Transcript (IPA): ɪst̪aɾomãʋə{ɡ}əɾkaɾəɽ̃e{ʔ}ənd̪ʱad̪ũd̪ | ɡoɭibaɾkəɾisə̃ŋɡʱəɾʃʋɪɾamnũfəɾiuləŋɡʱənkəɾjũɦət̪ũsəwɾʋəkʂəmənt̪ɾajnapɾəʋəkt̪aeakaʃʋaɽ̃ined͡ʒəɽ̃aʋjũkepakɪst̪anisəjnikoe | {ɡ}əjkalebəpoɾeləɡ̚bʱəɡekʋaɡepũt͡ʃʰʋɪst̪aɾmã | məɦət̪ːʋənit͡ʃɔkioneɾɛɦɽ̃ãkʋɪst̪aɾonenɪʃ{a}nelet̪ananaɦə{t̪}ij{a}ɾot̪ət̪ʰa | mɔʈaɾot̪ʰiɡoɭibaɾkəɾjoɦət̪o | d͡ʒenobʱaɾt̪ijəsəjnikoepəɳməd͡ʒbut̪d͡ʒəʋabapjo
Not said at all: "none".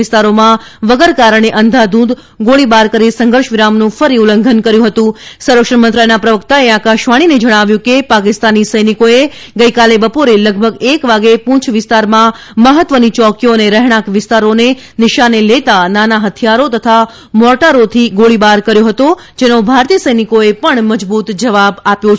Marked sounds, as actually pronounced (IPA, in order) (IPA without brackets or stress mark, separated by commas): ɡ, ʔ, ɡ, a, t̪ʰ, a